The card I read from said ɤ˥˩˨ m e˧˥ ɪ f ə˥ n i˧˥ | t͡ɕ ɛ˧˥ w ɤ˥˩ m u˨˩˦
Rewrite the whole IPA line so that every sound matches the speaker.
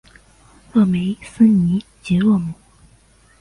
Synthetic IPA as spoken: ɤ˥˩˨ m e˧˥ ɪ s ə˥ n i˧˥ | t͡ɕ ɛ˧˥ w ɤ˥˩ m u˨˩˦